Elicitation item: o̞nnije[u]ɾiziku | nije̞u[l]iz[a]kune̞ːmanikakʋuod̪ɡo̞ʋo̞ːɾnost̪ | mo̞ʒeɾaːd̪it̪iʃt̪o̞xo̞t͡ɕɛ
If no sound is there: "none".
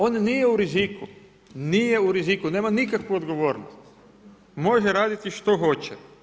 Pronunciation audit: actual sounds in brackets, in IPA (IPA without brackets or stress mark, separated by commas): u, ɾ, i